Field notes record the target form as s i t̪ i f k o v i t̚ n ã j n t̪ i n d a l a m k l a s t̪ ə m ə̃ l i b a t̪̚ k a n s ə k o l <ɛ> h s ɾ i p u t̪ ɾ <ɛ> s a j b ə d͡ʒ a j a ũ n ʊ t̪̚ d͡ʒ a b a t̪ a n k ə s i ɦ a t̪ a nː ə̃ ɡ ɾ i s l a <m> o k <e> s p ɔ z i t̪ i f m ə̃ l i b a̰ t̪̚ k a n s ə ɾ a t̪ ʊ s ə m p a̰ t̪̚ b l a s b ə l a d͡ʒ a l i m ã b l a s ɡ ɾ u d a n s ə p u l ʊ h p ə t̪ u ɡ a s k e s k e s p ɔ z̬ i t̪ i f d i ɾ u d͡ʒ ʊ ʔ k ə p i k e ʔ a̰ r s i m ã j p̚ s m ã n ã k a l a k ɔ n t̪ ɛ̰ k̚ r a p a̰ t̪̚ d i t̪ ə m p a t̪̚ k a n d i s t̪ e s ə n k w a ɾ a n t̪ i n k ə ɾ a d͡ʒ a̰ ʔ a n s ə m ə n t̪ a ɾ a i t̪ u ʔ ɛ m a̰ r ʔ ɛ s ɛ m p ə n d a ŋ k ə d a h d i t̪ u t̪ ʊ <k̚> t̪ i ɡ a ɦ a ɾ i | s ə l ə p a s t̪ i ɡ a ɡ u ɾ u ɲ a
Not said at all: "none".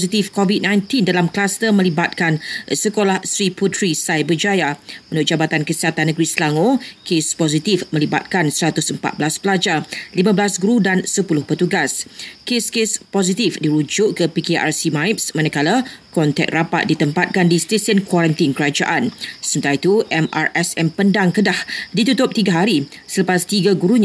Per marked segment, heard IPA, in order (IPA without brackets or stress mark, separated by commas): a, i, ŋ, e, p̚